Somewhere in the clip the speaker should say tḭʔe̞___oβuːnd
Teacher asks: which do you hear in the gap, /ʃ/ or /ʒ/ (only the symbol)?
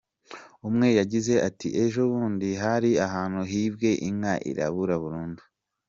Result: ʒ